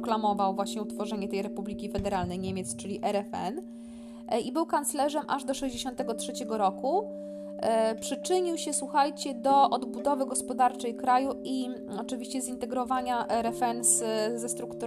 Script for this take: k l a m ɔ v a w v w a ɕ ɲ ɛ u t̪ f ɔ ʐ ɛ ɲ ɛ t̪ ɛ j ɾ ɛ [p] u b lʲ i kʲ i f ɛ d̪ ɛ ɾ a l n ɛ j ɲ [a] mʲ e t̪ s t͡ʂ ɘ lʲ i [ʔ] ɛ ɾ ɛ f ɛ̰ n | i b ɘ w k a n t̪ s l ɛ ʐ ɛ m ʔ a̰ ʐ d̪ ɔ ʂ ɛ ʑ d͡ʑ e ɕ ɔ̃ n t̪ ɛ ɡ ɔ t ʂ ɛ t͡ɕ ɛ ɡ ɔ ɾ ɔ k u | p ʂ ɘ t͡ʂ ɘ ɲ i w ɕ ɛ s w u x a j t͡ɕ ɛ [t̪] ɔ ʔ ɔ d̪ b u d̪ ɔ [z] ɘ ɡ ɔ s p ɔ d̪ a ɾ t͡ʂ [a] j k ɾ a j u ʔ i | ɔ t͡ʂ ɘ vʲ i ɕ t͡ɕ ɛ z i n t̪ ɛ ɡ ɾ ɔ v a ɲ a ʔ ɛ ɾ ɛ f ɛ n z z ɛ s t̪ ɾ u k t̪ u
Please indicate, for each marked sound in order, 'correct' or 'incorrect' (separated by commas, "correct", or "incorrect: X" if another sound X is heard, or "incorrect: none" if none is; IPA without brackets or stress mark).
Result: correct, incorrect: e, correct, incorrect: d̪, incorrect: v, incorrect: ɛ